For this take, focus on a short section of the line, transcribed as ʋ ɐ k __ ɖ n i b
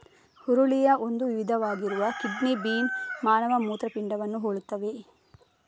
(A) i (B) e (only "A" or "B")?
A